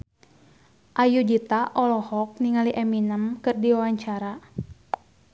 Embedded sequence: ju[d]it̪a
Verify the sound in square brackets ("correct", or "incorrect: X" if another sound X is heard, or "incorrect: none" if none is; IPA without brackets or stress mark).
incorrect: d͡ʒ